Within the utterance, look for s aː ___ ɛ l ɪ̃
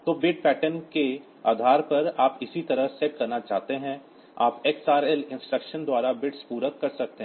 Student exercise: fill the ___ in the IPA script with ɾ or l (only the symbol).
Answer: ɾ